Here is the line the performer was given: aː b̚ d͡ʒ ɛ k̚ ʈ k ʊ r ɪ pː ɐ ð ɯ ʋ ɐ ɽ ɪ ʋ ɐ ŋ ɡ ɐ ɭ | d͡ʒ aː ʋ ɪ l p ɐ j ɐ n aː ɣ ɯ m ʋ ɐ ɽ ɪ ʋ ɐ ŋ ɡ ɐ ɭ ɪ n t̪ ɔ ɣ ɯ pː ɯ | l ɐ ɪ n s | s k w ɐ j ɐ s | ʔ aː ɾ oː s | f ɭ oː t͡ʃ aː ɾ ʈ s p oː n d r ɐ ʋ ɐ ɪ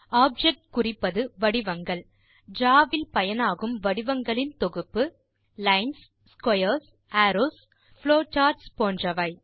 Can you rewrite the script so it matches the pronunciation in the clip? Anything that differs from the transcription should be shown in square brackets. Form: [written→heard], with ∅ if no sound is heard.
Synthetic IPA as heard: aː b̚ d͡ʒ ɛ k̚ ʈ k ʊ r ɪ pː ɐ ð ɯ ʋ ɐ ɽ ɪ ʋ ɐ ŋ ɡ ɐ ɭ | d͡ʒ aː ʋ ɪ l p ɐ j ɐ n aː ɣ ɯ m ʋ ɐ ɽ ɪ ʋ ɐ ŋ ɡ ɐ ɭ ɪ n t̪ ɔ ɣ ɯ pː ɯ | l ɐ ɪ n s | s k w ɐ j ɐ s | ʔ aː ɾ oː s | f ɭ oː t͡ʃ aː ɾ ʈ s p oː n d r ɐ ʋ ɐ ɪ